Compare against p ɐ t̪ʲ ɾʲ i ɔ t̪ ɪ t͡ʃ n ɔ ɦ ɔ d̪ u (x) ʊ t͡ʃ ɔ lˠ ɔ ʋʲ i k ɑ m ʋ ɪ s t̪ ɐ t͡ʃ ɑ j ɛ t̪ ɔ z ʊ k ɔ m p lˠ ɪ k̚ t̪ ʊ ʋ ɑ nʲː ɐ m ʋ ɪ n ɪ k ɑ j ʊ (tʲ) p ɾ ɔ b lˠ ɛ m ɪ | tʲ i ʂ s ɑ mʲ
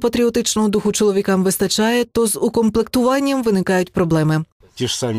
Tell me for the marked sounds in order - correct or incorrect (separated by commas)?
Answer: correct, correct